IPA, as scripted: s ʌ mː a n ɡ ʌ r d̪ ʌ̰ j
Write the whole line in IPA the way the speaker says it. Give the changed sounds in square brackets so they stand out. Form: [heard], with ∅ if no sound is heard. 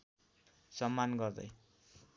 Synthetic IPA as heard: s ʌ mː a n ɡ ʌ r d̪ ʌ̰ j